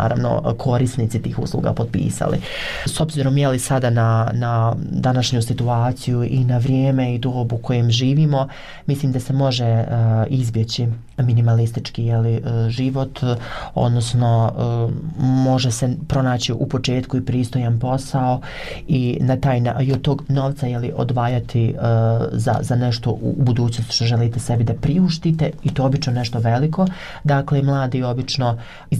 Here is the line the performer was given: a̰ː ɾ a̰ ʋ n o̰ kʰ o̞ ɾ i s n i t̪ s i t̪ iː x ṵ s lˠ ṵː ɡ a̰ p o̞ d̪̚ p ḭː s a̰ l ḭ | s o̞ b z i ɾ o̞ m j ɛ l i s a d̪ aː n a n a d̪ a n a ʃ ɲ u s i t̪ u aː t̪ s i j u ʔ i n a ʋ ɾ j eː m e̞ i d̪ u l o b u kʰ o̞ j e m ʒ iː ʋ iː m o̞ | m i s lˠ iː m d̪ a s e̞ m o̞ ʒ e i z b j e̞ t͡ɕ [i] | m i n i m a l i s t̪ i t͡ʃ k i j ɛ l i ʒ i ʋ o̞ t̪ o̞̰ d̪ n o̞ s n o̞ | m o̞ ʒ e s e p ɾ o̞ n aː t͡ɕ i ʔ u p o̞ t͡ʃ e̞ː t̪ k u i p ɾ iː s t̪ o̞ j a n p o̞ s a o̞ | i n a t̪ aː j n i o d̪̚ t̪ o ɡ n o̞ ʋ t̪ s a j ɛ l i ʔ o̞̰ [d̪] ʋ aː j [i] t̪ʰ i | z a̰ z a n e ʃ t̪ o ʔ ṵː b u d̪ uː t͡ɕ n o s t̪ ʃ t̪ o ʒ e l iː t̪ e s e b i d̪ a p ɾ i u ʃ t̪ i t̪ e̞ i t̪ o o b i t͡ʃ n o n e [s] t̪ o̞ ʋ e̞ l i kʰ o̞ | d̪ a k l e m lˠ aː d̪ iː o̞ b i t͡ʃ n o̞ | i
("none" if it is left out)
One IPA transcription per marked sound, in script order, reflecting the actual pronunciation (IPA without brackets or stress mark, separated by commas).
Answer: i, d̪, a, ʃ